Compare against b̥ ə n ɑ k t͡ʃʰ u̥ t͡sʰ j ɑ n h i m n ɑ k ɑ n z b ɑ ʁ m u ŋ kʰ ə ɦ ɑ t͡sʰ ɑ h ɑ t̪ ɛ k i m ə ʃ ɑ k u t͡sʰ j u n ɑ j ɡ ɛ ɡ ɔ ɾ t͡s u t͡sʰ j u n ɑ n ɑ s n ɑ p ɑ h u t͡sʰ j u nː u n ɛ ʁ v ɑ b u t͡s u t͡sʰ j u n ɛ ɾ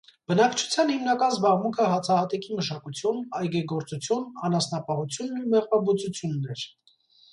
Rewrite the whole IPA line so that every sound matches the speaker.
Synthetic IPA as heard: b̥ ə n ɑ k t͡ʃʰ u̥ t͡sʰ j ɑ n h i m n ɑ k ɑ n z b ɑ ʁ m u ŋ kʰ ə ɦ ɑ t͡sʰ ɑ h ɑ t̪ ɛ k i m ə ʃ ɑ k u t͡sʰ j u n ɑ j ɡ ɛ ɡ ɔ ɾ t͡s u t͡sʰ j u n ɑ n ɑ s n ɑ p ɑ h u t͡sʰ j u nː u m ɛ ʁ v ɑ b u t͡s u t͡sʰ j u nː ɛ ɾ